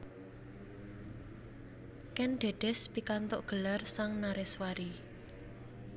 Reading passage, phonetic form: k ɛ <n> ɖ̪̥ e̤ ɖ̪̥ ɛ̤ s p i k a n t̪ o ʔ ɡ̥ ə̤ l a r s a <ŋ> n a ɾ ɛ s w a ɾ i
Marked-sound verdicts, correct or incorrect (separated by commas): correct, correct